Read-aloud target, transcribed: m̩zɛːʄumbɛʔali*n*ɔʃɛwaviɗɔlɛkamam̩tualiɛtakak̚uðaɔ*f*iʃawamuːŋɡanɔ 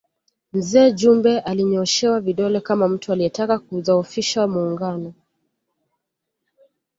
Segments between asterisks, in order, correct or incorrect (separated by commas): incorrect, correct